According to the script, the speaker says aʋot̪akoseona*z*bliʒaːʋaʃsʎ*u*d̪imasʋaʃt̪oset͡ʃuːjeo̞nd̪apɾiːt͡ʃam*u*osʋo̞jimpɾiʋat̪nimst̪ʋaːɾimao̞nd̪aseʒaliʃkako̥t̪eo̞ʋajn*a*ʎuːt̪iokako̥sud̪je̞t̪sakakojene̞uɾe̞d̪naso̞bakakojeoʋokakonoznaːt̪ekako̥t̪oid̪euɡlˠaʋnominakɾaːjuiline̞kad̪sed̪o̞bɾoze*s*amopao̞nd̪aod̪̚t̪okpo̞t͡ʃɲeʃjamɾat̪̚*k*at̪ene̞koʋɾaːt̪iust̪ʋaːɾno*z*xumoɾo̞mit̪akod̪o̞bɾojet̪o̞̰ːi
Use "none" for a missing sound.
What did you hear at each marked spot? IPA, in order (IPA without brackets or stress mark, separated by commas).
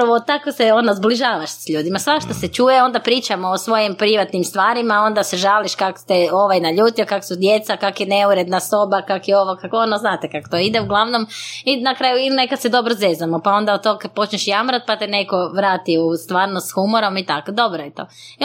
z, uː, o, a, z, p, s